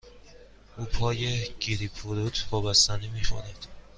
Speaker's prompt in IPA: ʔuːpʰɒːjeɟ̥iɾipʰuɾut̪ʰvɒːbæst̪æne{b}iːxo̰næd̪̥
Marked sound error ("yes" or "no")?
yes